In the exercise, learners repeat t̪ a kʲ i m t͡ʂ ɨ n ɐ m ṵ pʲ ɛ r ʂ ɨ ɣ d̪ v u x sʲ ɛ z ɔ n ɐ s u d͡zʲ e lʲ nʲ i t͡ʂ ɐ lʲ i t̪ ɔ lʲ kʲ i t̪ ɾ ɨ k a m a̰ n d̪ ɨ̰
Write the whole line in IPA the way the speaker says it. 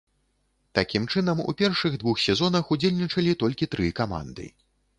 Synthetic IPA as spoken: t̪ a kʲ i m t͡ʂ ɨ n ɐ m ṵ pʲ ɛ r ʂ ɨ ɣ d̪ v u x sʲ ɛ z ɔ n ɐ x u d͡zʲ e lʲ nʲ i t͡ʂ ɐ lʲ i t̪ ɔ lʲ kʲ i t̪ ɾ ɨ k a m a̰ n d̪ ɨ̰